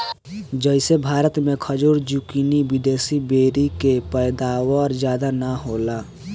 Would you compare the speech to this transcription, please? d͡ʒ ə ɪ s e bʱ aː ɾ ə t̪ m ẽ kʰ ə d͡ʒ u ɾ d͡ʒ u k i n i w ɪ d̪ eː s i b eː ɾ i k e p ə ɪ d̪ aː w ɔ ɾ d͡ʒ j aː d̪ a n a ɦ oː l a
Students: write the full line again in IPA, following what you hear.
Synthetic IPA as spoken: d͡ʒ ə ɪ s e bʱ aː ɾ ə t̪ m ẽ kʰ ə d͡ʒ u ɾ d͡ʒ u k i n i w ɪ d̪ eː s i b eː ɾ i k e p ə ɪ d̪ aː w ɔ ɾ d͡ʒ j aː d̪ a n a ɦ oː l a